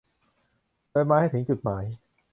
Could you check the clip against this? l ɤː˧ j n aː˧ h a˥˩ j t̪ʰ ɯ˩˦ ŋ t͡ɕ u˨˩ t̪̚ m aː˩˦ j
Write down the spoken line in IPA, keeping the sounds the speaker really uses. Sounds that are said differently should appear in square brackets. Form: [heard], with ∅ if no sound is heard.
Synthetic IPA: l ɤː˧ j [m] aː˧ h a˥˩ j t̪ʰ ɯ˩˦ ŋ t͡ɕ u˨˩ t̪̚ m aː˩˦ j